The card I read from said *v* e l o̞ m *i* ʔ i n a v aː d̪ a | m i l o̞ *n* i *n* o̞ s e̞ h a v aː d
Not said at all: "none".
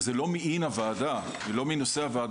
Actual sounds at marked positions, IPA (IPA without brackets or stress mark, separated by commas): z, i, m, n